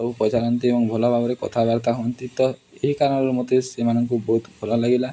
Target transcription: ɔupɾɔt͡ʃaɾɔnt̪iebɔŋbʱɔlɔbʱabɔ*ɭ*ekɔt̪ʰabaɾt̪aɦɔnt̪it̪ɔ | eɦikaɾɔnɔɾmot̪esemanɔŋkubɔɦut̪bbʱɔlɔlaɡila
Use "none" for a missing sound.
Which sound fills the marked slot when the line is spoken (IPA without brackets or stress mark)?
ɾ